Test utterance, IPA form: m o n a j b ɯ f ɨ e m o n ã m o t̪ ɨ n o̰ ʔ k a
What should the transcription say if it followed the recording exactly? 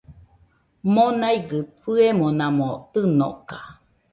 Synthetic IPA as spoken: m o n a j ɡ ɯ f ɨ e m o n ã m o t̪ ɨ n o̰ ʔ k a